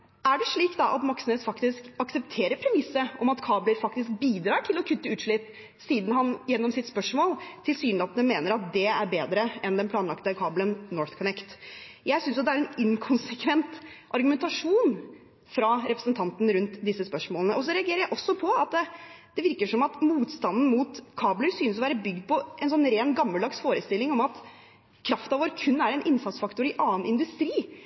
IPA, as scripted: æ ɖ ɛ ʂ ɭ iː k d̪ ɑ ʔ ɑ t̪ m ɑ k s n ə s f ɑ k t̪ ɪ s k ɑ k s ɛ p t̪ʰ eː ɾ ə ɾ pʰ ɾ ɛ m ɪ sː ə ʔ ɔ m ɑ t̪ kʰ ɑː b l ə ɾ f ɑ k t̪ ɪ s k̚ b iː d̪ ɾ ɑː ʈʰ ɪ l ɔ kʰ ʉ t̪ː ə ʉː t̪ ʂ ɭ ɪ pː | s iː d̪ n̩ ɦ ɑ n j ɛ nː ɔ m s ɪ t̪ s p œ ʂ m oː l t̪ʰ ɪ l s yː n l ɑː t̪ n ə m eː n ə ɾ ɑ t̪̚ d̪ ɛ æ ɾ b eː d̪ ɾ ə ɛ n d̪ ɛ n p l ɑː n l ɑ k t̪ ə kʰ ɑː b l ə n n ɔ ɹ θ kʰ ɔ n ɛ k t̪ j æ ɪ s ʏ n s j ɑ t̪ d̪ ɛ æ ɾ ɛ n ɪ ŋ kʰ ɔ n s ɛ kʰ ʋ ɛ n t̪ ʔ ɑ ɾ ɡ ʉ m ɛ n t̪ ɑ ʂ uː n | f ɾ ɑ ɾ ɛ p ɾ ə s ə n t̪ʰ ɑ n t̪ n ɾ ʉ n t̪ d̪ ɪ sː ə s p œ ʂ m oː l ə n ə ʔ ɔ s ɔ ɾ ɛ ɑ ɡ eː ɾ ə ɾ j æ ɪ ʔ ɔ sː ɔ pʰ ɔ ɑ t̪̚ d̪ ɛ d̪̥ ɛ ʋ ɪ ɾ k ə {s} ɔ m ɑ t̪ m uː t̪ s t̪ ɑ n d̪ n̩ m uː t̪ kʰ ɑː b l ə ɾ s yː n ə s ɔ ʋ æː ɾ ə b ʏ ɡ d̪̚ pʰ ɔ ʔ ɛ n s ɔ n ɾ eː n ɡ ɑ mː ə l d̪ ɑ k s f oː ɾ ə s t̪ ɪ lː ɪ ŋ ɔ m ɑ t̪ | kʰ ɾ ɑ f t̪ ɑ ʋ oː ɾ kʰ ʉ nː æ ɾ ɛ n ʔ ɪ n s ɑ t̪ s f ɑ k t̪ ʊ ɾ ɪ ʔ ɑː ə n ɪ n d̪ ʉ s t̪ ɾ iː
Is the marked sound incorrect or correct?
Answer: incorrect: ʂ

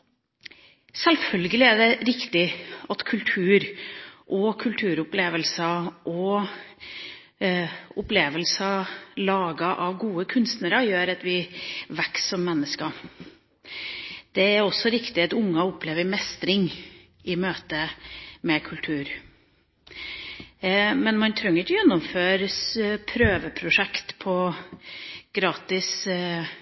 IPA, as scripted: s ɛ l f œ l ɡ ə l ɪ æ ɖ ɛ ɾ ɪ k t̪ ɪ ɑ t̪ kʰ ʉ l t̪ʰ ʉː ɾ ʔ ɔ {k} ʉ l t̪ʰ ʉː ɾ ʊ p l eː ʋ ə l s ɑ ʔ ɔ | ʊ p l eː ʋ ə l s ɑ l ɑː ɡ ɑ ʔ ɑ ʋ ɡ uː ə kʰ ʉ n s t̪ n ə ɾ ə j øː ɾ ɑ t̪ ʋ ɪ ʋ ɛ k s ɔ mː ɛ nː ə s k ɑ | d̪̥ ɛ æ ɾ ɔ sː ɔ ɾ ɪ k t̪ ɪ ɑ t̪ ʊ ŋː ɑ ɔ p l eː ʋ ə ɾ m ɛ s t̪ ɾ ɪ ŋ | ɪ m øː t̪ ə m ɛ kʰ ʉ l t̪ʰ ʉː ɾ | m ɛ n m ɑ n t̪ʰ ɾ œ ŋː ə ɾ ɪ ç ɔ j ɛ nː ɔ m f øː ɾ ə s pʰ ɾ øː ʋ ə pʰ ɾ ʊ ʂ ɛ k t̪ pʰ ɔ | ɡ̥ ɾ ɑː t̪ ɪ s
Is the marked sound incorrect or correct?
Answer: incorrect: kʰ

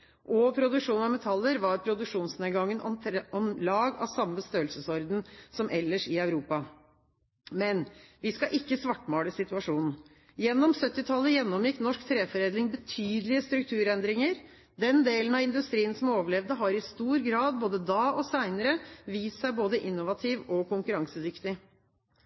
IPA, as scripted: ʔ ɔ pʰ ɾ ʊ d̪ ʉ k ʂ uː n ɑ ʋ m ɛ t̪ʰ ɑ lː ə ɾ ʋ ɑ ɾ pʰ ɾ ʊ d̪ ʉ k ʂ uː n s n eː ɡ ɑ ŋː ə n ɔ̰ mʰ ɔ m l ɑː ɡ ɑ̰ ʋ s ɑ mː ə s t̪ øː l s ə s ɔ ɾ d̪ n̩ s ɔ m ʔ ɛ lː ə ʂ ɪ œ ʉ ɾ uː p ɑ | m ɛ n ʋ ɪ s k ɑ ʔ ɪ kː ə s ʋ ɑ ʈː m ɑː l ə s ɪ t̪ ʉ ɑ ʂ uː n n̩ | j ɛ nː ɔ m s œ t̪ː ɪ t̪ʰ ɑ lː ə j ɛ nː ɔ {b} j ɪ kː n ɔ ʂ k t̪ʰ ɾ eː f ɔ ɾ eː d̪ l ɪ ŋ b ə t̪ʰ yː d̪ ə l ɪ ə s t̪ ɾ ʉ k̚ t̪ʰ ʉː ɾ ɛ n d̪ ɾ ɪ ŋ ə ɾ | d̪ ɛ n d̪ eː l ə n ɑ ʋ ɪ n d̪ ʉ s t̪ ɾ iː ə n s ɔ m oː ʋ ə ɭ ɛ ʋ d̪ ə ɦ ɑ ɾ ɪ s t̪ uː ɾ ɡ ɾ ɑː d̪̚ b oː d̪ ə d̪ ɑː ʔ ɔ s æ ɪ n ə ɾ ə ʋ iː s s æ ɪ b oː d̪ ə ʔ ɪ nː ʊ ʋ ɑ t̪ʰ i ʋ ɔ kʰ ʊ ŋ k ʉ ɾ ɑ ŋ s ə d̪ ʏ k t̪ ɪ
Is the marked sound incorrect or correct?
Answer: incorrect: m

